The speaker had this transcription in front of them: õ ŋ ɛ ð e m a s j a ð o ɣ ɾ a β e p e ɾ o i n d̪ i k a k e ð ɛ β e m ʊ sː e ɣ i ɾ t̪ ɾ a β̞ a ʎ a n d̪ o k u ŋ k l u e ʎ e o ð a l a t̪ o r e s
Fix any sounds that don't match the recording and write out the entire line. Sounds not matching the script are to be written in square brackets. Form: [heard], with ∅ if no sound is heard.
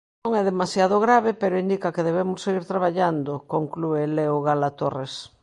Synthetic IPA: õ ŋ ɛ ð e m a s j a ð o ɣ ɾ a β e p e ɾ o i n d̪ i k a k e ð [e] β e m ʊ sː e ɣ i ɾ t̪ ɾ a β̞ a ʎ a n d̪ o k [o] ŋ k l u e [l] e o [ɣ] a l a t̪ o r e s

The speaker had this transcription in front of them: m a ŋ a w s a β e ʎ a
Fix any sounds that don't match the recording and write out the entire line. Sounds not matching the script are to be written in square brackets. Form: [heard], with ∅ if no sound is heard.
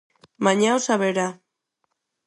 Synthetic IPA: m a [ɲ] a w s a β e [ɾ] a

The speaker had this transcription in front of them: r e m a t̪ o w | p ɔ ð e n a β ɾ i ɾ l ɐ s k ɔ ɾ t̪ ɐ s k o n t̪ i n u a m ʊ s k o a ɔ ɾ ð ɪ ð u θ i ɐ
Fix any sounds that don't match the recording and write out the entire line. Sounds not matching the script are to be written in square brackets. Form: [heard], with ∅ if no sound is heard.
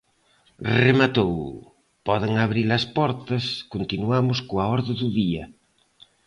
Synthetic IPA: r e m a t̪ o w | p ɔ ð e [ŋ] a β ɾ i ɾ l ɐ s [p] ɔ ɾ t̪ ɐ s k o n t̪ i n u a m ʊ s k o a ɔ ɾ ð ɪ ð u [ð] i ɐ

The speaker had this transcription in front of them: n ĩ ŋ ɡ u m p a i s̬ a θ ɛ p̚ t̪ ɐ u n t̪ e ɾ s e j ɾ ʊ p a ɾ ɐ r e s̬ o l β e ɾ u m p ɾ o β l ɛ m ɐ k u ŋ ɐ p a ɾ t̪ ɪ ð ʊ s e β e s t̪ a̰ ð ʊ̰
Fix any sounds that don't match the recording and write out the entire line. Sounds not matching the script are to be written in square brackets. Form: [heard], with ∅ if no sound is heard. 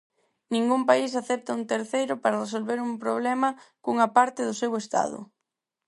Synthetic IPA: n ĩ ŋ ɡ u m p a i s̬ a θ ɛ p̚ t̪ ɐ u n t̪ e ɾ [θ] e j ɾ ʊ p a ɾ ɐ r e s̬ o l β e ɾ u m p ɾ o β l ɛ m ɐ k u ŋ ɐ p a ɾ t̪ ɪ ð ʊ s e [w] e s t̪ a̰ ð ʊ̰

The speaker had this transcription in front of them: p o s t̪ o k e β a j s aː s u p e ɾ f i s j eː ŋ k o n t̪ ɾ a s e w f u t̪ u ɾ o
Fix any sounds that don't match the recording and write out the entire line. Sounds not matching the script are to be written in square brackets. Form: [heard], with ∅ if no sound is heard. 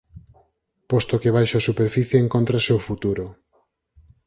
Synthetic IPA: p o s t̪ o k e β a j [ʃ] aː s u p e ɾ f i [θ] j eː ŋ k o n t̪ ɾ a s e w f u t̪ u ɾ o

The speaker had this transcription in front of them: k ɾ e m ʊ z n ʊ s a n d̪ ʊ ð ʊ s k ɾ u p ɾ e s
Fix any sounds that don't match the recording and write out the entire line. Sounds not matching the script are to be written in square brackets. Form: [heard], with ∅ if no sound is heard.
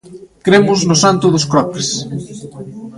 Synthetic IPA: k ɾ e m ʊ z n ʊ s a n [t̪] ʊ ð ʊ s k ɾ [ɔ] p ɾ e s

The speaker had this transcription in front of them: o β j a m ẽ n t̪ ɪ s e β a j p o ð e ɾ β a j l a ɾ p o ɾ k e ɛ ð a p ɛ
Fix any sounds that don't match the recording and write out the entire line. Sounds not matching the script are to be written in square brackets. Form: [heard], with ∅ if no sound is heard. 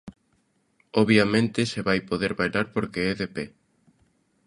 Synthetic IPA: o β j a m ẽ n t̪ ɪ s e β a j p o ð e ɾ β a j l a ɾ p o ɾ k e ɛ ð [e] p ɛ

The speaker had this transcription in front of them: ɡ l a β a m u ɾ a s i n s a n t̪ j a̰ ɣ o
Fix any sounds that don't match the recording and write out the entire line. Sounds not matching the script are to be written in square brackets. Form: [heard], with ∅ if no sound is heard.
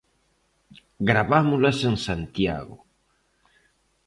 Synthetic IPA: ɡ [ɾ] a β a m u [l] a s [e] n s a n t̪ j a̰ ɣ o

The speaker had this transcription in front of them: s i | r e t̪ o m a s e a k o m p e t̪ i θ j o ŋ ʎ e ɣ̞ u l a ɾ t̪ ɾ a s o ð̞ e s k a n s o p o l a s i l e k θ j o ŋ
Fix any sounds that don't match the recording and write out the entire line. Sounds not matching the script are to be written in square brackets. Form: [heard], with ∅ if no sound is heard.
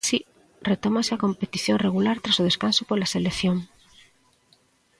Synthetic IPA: s i | r e t̪ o m a s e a k o m p e t̪ i θ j o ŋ [r] e ɣ̞ u l a ɾ t̪ ɾ a s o ð̞ e s k a n s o p o l a s [e] l e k θ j o ŋ

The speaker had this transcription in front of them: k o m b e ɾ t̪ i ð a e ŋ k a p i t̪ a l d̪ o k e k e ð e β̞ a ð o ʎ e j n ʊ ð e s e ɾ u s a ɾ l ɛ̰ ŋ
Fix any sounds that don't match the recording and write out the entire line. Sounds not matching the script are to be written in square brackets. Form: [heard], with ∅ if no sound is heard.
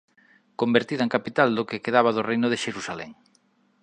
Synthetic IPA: k o m b e ɾ t̪ i ð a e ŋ k a p i t̪ a l d̪ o k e k e ð [a] β̞ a ð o [r] e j n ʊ ð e [ʃ] e ɾ u s a [∅] l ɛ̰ ŋ

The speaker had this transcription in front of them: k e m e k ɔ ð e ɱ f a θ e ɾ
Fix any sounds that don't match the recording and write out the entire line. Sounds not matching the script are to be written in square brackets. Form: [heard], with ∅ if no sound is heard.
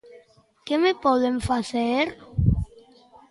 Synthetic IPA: k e m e [p] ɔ ð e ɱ f a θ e ɾ

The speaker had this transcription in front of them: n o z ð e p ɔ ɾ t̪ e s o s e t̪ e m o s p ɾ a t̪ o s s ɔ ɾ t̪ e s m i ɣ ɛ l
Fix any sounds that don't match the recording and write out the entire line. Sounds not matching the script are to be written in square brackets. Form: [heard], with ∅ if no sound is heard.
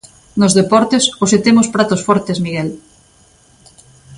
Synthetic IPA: n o z ð e p ɔ ɾ t̪ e s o s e t̪ e m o s p ɾ a t̪ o s [f] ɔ ɾ t̪ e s m i ɣ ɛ l

